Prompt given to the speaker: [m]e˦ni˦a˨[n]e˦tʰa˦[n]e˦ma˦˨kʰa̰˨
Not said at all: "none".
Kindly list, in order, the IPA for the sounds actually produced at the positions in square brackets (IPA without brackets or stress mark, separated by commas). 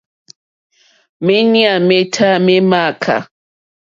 m, m, m